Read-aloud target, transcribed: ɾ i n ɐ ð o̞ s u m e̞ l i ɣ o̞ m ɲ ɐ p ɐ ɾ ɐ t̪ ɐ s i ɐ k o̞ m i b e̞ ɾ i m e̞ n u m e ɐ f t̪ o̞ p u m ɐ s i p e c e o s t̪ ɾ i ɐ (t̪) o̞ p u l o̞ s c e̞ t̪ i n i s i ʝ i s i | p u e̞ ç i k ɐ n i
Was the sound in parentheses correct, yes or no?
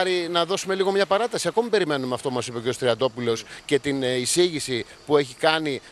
no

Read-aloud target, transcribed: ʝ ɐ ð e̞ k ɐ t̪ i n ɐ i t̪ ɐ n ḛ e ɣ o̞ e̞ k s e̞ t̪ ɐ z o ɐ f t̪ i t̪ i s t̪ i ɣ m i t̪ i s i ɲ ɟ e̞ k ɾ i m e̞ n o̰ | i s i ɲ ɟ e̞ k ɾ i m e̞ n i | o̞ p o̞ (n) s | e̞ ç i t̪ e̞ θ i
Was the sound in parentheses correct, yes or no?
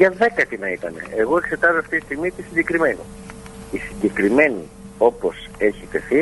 no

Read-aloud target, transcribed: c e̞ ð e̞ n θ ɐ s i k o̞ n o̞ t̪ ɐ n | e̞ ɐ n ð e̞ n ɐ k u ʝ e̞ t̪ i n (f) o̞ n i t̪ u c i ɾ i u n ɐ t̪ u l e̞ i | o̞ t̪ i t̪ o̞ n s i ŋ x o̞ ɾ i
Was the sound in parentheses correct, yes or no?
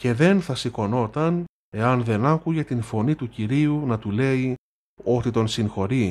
yes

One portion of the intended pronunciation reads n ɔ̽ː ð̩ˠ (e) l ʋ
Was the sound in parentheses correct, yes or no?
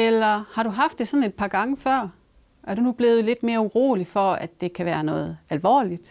no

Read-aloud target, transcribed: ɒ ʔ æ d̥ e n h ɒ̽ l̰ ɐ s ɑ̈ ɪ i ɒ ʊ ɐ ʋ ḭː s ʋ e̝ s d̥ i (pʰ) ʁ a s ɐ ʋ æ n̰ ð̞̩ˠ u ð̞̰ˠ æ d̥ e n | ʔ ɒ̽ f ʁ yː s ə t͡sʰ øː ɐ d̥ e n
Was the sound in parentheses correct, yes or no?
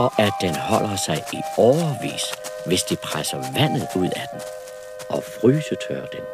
yes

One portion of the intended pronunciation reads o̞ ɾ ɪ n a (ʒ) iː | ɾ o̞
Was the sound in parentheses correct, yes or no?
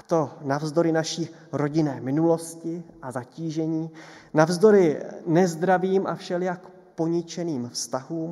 no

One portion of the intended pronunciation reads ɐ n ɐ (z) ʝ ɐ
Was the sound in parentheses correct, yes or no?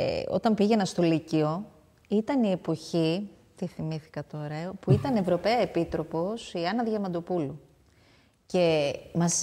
no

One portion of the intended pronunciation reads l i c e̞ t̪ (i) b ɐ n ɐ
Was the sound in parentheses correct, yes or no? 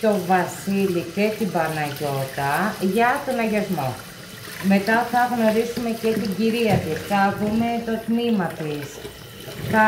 yes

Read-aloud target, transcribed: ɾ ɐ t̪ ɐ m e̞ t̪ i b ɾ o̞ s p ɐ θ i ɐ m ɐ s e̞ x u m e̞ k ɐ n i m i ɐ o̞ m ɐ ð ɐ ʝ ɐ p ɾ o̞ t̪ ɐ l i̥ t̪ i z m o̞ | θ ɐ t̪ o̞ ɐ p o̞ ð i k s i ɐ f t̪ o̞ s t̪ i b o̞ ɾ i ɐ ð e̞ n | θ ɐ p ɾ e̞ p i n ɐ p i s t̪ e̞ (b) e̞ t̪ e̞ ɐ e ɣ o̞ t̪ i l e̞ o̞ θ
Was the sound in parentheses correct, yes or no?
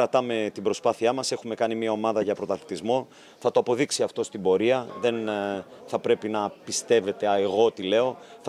no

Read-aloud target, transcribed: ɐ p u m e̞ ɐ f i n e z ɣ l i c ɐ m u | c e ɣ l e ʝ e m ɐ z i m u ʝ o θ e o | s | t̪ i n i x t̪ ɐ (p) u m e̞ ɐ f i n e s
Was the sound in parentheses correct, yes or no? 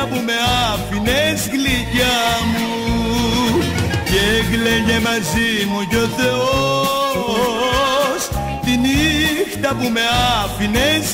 yes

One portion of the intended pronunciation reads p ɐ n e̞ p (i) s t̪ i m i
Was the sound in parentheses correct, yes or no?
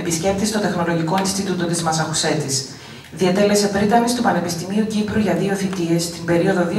yes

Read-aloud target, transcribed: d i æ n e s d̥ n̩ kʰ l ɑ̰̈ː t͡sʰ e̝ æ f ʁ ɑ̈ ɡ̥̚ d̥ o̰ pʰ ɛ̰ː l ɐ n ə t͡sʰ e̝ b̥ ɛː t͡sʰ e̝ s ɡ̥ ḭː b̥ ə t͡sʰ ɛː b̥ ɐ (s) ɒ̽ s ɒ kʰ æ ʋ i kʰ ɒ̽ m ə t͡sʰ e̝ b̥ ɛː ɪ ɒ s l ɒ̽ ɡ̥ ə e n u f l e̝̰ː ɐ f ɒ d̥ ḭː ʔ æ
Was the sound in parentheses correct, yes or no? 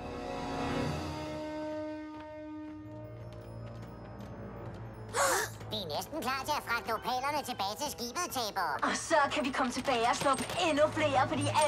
no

